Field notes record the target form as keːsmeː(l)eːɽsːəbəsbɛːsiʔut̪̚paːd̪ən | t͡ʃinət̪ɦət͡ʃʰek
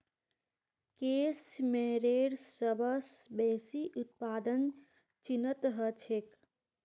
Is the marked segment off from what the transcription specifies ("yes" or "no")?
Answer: yes